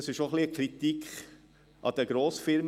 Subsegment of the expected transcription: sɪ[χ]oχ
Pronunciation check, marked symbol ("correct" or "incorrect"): incorrect